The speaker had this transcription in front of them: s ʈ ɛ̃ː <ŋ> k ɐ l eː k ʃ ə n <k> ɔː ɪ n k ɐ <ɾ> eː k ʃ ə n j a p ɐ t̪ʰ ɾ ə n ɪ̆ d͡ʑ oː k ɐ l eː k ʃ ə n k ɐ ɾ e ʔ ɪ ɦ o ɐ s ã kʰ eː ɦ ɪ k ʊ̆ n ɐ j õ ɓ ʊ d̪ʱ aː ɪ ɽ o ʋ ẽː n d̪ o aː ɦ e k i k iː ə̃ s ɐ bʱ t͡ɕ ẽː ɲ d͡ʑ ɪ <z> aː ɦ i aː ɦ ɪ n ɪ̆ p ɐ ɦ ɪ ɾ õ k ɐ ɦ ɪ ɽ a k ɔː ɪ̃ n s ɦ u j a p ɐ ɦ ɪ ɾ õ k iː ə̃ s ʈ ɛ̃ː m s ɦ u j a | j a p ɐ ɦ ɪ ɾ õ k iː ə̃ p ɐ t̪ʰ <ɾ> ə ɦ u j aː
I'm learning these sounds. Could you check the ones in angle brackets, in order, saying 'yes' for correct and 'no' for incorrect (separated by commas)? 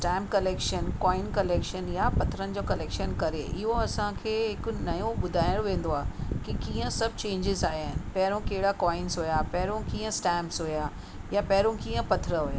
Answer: no, yes, no, yes, yes